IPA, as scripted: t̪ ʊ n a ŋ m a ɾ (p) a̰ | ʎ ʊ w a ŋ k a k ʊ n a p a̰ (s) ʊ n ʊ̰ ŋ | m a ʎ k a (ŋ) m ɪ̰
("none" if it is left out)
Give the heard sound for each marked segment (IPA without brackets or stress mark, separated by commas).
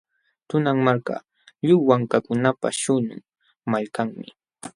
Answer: k, ʃ, ŋ